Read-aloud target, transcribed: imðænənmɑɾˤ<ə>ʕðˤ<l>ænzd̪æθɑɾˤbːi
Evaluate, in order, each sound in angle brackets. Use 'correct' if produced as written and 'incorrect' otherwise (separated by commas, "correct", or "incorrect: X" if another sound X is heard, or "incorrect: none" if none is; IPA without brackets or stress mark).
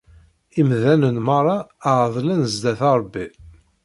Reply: incorrect: ɑ, correct